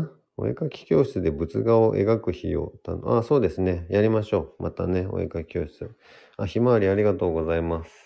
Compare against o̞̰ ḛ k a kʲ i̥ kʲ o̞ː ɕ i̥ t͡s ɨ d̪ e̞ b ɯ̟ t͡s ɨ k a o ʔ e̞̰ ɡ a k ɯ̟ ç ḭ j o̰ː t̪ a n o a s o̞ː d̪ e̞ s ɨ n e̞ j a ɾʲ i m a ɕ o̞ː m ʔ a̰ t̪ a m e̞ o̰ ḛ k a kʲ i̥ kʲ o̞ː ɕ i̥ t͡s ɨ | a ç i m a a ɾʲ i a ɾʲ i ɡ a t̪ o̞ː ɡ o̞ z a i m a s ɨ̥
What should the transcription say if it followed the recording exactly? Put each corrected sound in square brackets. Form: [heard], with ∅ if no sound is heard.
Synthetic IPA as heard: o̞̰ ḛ k a kʲ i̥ kʲ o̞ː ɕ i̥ t͡s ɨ d̪ e̞ b ɯ̟ t͡s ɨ [ɡ] a o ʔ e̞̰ ɡ a k ɯ̟ ç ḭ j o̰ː t̪ a n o a s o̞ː d̪ e̞ s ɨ n e̞ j a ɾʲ i m a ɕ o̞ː m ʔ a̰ t̪ a [n] e̞ o̰ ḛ k a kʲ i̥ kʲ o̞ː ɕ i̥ t͡s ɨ | a ç i m a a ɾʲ i a ɾʲ i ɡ a t̪ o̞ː ɡ o̞ z a i m a s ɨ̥